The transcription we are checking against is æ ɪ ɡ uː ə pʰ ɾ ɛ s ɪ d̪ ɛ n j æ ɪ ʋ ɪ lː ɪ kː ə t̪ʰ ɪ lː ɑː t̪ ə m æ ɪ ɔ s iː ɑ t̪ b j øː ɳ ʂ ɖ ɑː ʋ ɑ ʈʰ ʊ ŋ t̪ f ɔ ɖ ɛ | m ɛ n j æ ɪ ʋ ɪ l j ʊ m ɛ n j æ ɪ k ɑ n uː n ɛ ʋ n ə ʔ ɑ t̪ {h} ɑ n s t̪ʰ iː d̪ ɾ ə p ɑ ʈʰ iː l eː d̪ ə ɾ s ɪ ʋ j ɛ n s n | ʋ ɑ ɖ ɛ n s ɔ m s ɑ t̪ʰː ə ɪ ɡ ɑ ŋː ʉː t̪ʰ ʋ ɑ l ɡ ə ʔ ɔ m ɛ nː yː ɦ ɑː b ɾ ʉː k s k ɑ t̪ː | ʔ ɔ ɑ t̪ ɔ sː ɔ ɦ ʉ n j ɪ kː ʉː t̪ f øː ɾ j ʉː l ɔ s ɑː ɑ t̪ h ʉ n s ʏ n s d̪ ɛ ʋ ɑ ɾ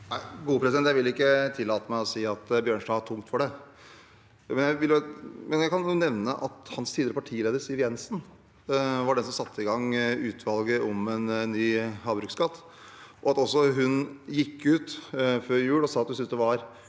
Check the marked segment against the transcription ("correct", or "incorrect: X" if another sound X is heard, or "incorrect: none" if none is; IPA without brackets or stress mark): correct